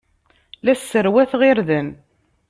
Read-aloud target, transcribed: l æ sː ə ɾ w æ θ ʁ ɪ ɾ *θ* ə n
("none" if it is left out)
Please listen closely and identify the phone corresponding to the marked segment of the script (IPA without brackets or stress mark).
ð